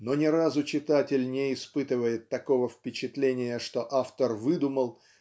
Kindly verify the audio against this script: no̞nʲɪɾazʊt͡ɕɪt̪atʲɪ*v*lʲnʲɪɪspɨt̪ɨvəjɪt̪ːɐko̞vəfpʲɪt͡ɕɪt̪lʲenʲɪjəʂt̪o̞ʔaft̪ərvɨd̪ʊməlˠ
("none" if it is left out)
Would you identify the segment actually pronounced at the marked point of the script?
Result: none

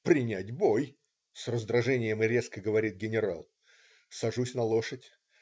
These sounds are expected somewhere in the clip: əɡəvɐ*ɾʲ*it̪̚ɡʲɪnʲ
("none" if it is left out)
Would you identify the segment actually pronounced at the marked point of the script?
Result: ɾʲ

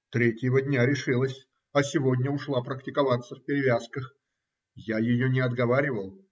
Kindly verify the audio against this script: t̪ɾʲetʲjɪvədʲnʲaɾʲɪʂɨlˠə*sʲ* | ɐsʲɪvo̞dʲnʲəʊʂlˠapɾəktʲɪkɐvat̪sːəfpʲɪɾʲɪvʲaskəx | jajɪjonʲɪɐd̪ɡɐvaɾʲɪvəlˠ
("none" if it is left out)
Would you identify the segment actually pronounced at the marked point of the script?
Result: sʲ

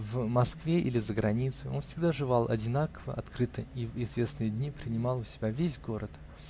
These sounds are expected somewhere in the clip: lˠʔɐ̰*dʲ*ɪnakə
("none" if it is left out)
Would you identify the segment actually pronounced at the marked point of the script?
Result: dʲ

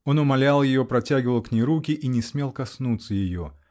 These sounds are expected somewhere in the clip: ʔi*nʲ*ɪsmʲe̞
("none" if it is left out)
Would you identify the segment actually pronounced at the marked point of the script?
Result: nʲ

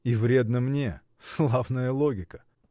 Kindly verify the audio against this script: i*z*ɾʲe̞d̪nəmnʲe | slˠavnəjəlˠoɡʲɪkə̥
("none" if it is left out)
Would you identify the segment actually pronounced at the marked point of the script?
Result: v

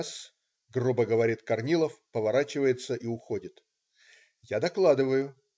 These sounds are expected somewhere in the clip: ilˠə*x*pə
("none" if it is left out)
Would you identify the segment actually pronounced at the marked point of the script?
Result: f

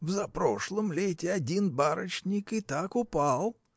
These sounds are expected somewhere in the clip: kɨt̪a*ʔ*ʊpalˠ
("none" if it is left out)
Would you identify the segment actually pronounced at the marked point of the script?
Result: k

